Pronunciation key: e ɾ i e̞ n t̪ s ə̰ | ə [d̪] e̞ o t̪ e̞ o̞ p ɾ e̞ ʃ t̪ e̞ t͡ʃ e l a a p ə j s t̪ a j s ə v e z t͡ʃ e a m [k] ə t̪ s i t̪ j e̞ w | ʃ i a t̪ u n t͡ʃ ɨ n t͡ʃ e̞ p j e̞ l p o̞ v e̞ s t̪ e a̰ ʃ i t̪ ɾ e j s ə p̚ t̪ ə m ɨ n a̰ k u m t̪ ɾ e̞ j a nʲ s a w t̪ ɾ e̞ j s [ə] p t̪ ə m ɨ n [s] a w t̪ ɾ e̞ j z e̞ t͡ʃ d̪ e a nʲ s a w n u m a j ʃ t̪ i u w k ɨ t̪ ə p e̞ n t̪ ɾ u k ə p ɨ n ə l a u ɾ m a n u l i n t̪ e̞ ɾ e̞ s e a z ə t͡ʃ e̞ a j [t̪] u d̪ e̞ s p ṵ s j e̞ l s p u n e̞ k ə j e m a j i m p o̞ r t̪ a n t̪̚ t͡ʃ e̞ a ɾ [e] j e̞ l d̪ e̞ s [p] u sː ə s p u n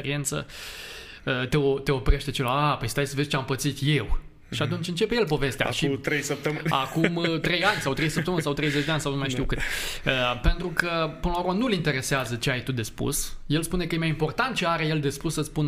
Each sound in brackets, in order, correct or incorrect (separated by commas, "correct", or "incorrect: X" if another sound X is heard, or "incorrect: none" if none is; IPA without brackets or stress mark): incorrect: t̪, incorrect: p, correct, correct, correct, correct, correct